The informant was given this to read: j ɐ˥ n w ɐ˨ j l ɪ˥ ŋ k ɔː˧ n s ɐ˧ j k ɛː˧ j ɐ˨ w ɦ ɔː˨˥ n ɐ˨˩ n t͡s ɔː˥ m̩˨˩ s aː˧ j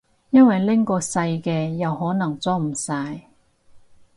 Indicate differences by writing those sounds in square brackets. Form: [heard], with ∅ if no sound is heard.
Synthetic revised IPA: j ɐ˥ n w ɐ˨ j l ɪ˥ ŋ k ɔː˧ [∅] s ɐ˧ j k ɛː˧ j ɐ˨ w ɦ ɔː˨˥ n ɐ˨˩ [ŋ] t͡s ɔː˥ m̩˨˩ s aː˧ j